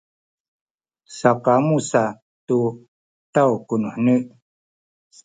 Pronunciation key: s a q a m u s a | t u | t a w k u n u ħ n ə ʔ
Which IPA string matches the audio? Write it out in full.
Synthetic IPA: s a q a m u s a | t u | t a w k u n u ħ n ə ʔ